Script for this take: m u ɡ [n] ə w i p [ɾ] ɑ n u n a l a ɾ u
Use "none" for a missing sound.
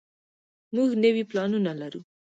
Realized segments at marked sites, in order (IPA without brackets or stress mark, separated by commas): n, l